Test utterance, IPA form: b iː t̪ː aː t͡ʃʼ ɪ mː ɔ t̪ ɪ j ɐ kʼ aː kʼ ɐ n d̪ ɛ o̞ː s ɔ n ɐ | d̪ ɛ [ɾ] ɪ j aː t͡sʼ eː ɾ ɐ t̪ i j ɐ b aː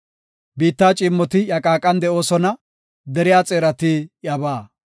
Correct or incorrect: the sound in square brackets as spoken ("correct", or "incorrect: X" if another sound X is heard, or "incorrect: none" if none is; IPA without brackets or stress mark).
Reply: correct